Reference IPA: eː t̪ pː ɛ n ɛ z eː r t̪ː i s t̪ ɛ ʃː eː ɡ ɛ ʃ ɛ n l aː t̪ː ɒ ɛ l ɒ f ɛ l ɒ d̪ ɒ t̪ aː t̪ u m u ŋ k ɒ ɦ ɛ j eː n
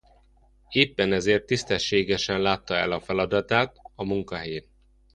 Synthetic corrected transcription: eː pː ɛ n ɛ z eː r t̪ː i s t̪ ɛ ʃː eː ɡ ɛ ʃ ɛ n l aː t̪ː ɒ ɛ l ɒ f ɛ l ɒ d̪ ɒ t̪ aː t̪ ɒ m u ŋ k ɒ ɦ ɛ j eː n